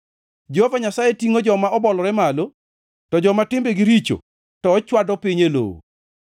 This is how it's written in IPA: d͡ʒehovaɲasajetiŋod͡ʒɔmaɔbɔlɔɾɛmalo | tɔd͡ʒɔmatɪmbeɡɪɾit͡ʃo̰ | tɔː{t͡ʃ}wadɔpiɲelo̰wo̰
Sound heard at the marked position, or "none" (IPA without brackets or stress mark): t͡ʃ